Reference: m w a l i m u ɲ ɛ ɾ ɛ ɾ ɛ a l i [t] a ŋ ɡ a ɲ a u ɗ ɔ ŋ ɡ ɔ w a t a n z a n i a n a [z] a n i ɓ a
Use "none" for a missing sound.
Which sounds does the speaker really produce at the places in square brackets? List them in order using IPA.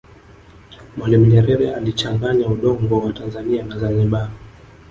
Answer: t͡ʃ, z

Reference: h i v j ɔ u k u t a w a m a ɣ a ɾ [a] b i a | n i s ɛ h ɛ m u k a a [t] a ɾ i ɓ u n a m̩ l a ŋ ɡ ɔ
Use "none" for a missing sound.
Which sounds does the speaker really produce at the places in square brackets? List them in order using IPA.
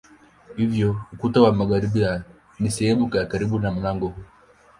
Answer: i, k

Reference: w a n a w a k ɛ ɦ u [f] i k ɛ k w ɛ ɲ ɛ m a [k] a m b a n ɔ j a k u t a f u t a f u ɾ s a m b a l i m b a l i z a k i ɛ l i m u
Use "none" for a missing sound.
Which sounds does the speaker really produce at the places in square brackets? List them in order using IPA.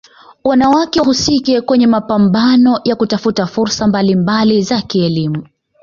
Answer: s, p

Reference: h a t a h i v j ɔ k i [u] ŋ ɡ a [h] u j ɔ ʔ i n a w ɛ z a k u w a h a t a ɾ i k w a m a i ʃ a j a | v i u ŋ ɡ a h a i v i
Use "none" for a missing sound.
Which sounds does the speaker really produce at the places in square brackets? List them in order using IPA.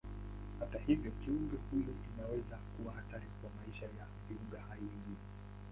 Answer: u, h

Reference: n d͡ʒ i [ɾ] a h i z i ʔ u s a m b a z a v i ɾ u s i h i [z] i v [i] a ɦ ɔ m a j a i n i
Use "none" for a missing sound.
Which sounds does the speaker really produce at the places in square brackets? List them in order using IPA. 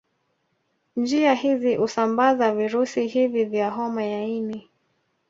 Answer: none, v, j

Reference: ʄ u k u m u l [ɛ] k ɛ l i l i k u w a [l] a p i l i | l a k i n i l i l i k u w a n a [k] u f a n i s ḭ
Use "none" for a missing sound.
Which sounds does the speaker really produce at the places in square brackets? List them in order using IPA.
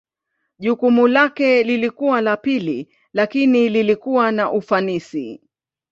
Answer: a, l, ʔ

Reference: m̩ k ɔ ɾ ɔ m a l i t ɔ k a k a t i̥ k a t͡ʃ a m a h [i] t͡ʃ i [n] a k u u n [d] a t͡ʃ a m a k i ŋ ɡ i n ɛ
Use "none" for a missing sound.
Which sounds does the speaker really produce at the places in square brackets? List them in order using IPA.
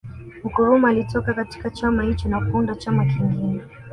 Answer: i, n, d

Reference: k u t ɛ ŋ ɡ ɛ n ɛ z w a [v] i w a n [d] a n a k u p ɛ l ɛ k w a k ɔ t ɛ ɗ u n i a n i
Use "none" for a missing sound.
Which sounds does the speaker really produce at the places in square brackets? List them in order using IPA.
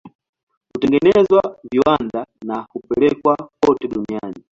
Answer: v, d

